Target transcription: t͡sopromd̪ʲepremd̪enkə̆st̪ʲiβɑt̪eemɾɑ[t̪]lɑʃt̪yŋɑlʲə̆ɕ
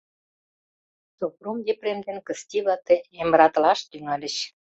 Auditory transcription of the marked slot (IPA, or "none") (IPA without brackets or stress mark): t̪